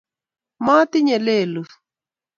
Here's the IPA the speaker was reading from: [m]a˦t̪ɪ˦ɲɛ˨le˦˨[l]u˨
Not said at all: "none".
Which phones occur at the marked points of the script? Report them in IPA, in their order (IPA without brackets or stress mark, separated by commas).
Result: m, l